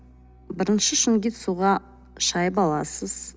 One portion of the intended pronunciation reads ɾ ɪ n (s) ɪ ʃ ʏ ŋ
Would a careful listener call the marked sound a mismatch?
yes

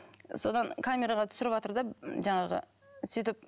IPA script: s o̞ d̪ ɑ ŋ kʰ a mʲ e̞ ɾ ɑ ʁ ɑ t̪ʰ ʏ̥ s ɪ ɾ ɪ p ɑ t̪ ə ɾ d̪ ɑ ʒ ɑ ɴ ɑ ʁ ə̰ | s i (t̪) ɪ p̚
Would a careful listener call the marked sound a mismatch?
no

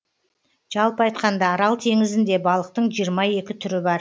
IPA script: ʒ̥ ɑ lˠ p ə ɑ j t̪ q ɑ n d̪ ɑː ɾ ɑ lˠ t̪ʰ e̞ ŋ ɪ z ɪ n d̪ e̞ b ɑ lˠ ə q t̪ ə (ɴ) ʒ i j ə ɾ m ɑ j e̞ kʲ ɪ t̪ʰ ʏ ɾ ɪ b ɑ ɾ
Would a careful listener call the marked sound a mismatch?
no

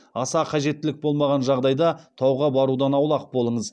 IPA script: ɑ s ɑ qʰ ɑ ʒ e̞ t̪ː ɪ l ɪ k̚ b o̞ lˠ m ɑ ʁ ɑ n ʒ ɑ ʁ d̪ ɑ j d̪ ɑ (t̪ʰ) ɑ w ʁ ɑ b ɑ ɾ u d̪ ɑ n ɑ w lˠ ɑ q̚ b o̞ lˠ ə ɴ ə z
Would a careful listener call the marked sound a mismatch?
no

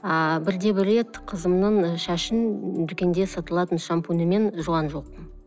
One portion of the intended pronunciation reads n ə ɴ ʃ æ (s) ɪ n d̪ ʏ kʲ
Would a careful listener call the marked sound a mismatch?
yes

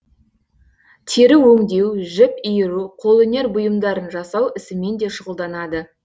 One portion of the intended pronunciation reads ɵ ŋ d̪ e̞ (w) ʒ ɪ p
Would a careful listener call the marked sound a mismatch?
no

